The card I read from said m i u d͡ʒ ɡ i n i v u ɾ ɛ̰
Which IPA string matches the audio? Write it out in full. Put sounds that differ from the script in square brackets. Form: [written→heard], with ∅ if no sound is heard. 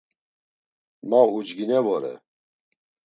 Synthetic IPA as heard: m [i→a] u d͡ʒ ɡ i n [i→ɛ] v [u→ɔ] ɾ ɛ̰